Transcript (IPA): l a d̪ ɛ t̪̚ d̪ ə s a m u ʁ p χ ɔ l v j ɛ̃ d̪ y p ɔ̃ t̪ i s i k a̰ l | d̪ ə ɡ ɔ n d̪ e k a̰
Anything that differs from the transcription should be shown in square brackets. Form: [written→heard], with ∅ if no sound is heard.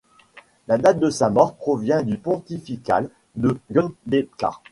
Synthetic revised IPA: l a d̪ [ɛ→a] t̪̚ d̪ ə s a m [u→ɔ] ʁ p χ ɔ [l→∅] v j ɛ̃ d̪ y p ɔ̃ t̪ i [s→f] i k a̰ l | d̪ ə ɡ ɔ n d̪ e k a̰